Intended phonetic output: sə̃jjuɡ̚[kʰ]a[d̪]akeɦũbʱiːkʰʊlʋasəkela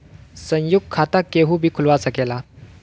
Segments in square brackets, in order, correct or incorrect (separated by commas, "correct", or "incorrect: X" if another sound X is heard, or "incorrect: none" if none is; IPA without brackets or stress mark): correct, incorrect: t̪